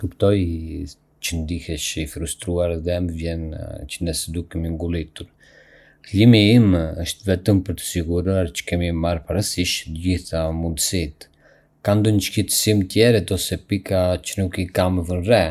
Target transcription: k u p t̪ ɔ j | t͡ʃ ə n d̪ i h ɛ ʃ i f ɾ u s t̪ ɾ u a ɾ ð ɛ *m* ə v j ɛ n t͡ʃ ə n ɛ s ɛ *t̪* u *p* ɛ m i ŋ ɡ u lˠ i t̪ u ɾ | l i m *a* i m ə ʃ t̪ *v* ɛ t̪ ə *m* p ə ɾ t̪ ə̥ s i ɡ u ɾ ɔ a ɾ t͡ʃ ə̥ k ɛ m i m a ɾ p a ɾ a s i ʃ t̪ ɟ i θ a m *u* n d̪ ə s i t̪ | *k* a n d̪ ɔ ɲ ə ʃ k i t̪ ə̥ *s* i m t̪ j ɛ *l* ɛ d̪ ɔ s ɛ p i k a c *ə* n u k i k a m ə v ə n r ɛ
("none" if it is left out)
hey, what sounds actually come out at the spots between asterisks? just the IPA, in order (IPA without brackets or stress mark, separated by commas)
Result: m, d̪, k, i, v, m, u, k, s, ɾ, ə